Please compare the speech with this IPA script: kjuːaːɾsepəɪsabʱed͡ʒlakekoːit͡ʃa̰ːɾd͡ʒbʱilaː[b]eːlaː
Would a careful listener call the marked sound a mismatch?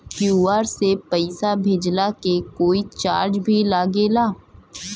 yes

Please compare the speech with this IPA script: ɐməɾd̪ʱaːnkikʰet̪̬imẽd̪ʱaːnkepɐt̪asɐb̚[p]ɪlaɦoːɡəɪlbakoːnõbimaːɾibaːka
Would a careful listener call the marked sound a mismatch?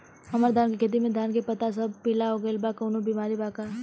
no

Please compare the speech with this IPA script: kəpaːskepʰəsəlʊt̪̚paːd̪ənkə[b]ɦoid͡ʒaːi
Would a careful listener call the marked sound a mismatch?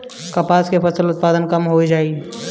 yes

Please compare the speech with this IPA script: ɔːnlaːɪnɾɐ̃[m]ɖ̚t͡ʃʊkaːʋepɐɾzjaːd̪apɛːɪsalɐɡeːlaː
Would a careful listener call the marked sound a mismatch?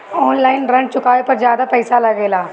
yes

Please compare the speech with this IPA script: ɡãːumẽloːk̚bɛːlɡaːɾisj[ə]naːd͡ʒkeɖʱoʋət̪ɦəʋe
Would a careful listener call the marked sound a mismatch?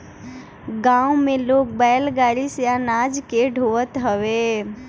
yes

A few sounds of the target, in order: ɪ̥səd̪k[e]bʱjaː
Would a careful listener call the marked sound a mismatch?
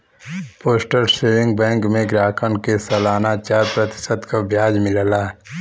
yes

